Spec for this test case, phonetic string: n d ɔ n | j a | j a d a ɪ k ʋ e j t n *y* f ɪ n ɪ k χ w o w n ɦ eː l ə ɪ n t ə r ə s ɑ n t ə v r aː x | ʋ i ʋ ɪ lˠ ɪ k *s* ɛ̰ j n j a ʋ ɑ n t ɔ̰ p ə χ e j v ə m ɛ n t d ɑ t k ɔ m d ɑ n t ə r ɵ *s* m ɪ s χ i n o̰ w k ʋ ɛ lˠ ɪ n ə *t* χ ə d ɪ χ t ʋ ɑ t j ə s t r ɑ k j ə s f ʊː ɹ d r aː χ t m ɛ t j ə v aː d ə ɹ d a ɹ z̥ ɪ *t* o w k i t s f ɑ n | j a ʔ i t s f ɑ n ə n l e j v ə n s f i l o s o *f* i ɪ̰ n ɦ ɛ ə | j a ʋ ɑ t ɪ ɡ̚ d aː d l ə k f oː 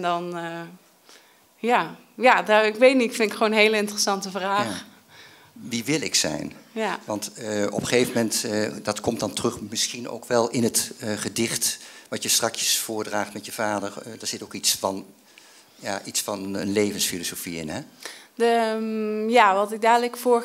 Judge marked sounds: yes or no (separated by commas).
no, yes, no, yes, yes, yes